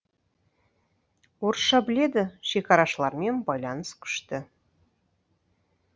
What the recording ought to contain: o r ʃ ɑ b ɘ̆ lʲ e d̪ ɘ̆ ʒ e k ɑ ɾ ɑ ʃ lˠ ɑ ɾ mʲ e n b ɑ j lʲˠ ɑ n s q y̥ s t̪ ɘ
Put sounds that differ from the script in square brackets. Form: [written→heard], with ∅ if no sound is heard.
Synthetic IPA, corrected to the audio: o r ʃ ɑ b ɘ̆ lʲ e d̪ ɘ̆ [ʒ→ʃ] e k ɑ ɾ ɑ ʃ lˠ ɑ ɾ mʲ e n b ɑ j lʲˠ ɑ n s [q→k] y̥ [s→ʃ] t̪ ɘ